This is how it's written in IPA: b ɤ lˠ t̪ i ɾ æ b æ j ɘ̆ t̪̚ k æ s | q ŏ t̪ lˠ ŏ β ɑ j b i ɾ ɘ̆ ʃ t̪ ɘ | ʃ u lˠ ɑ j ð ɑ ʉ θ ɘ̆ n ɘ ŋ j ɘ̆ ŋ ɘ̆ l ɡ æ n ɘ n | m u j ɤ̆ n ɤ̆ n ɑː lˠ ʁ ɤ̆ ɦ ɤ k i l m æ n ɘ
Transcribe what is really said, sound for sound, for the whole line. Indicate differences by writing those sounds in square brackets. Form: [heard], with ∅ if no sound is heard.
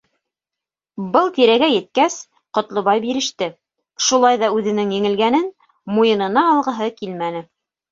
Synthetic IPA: b ɤ lˠ t̪ i ɾ æ [ɡ] æ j ɘ̆ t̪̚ k æ s | q ŏ t̪ lˠ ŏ β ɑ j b i ɾ ɘ̆ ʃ t̪ ɘ | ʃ u lˠ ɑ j ð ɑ ʉ [ð] ɘ̆ n ɘ ŋ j ɘ̆ ŋ ɘ̆ l ɡ æ n ɘ n | m u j ɤ̆ n ɤ̆ n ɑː lˠ ʁ ɤ̆ ɦ ɤ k i l m æ n ɘ